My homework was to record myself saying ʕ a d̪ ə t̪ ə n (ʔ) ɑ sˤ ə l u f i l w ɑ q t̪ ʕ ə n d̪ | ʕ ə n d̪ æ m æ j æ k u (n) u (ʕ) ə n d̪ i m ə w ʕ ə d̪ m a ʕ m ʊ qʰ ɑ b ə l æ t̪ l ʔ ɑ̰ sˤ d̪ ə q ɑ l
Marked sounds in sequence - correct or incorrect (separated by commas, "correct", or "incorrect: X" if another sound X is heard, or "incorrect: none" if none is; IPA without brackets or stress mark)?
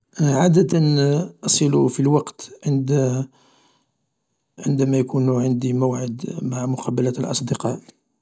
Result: correct, correct, correct